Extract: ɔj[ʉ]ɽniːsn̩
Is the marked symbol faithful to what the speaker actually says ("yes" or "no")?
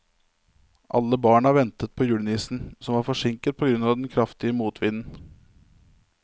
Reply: no